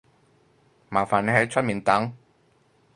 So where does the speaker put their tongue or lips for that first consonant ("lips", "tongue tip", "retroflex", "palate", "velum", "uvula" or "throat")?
lips